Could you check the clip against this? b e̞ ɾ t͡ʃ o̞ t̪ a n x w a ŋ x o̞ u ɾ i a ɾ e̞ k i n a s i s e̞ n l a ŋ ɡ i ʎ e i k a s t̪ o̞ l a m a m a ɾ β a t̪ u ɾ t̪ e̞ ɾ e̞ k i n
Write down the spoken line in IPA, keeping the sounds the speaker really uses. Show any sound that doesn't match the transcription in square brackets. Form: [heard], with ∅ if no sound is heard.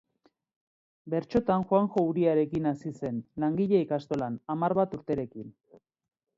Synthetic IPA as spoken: b e̞ ɾ t͡ʃ o̞ t̪ a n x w a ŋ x o̞ u ɾ i a ɾ e̞ k i n a s i s e̞ n l a ŋ ɡ i ʎ e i k a s t̪ o̞ l a [n] a m a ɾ β a t̪ u ɾ t̪ e̞ ɾ e̞ k i n

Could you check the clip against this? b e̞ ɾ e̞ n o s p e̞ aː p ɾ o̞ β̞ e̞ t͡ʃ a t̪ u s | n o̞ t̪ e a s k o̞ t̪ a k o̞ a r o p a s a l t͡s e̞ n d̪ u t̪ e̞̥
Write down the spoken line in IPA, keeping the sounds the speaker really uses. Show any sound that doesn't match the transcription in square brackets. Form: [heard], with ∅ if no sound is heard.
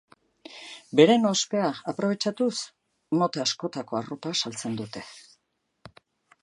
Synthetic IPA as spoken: b e̞ ɾ e̞ n o s p e̞ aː p ɾ o̞ β̞ e̞ t͡ʃ a t̪ u s | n o̞ t̪ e a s k o̞ t̪ a k o̞ a r o p a s a l t͡s e̞ n d̪ u t̪ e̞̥

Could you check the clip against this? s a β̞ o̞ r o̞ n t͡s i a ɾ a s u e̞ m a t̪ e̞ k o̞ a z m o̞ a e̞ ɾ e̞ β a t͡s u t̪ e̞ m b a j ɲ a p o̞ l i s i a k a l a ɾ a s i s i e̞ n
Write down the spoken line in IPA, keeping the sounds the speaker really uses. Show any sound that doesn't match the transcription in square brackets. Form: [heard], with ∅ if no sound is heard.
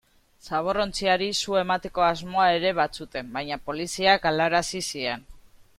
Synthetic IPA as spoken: s a β̞ o̞ r o̞ n t͡s i a ɾ [i] s u e̞ m a t̪ e̞ k o̞ a z m o̞ a e̞ ɾ e̞ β a t͡s u t̪ e̞ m b a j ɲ a p o̞ l i s i a k a l a ɾ a s i s i e̞ n

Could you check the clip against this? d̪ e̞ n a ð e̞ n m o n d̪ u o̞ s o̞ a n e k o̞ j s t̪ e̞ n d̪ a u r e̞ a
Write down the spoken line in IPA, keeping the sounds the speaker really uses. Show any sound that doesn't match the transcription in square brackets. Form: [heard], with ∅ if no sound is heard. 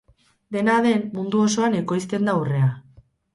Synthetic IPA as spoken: d̪ e̞ n a ð e̞ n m [u] n d̪ u o̞ s o̞ a n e k o̞ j s t̪ e̞ n d̪ a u r e̞ a

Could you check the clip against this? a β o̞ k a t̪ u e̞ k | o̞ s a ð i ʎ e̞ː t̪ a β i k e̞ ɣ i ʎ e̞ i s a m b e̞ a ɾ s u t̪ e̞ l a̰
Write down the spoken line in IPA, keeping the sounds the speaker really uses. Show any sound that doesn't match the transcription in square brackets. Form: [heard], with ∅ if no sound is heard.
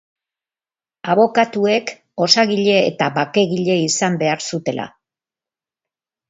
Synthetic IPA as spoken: a β o̞ k a t̪ u e̞ k | o̞ s a [ɣ] i ʎ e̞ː t̪ a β [a] k e̞ ɣ i ʎ e̞ i s a m b e̞ a ɾ s u t̪ e̞ l a̰

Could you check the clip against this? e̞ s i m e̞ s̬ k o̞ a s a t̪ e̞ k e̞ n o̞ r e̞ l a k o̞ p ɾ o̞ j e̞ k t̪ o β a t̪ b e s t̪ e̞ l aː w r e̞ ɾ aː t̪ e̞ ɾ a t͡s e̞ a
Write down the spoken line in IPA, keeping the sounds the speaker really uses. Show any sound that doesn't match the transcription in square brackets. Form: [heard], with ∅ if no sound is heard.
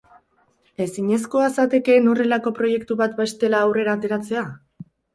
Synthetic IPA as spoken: e̞ s i [ɲ] e̞ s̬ k o̞ a s a t̪ e̞ k e̞ n o̞ r e̞ l a k o̞ p ɾ o̞ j e̞ k t̪ [u] β a t̪ b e s t̪ e̞ l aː w r e̞ ɾ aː t̪ e̞ ɾ a t͡s e̞ a

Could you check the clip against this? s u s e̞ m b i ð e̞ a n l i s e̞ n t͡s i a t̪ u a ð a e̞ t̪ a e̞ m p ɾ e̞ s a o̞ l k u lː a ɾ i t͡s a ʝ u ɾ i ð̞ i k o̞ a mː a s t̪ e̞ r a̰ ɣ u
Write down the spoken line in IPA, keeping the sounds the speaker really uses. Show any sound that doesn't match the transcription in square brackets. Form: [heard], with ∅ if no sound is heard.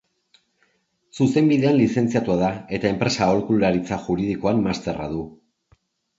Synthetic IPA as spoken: s u s e̞ m b i ð e̞ a n l i s e̞ n t͡s i a t̪ u a ð a e̞ t̪ a e̞ m p ɾ e̞ s a o̞ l k u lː a ɾ i t͡s a ʝ u ɾ i ð̞ i k o̞ a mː a s t̪ e̞ r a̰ [ð] u

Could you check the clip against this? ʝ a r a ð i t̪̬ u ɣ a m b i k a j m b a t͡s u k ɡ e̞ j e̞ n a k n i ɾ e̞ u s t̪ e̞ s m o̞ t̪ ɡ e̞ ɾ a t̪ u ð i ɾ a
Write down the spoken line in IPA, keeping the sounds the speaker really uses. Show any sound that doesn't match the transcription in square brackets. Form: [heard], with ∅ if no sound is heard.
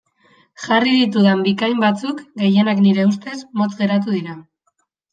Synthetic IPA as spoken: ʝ a r [i] ð i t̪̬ u [ð] a m b i k a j m b a t͡s u k ɡ e̞ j e̞ n a k n i ɾ e̞ u s t̪ e̞ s m o̞ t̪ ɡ e̞ ɾ a t̪ u ð i ɾ a

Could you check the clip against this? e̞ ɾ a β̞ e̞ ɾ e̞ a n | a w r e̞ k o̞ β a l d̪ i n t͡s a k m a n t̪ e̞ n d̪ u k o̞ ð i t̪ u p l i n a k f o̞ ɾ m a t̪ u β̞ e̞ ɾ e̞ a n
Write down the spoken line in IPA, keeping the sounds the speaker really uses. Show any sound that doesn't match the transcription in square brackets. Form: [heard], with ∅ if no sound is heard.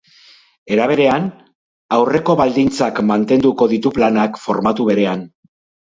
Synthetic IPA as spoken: e̞ ɾ a β̞ e̞ ɾ e̞ a n | a w r e̞ k o̞ β a l d̪ i n t͡s a k m a n t̪ e̞ n d̪ u k o̞ ð i t̪ u p l [a] n a k f o̞ ɾ m a t̪ u β̞ e̞ ɾ e̞ a n

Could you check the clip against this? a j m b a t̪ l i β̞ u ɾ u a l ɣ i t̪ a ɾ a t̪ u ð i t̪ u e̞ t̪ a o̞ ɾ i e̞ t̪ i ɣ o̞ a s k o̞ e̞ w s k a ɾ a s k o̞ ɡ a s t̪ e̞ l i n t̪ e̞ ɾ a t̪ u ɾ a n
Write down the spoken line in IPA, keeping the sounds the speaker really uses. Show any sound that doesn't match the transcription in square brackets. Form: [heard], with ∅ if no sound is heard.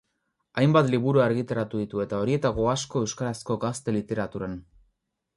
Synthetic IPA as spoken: a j m b a t̪ l i β̞ u ɾ u a [ɾ] ɣ i t̪ a ɾ a t̪ u ð i t̪ u e̞ t̪ a o̞ ɾ i e̞ t̪ [a] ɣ o̞ a s k o̞ e̞ w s k a ɾ a s k o̞ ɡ a s t̪ e̞ l i [∅] t̪ e̞ ɾ a t̪ u ɾ a n

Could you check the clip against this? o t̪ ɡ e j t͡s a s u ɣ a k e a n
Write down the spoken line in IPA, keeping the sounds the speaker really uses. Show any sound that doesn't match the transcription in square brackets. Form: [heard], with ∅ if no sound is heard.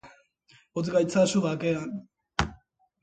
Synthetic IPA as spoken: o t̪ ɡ [a] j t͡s a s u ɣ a k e a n

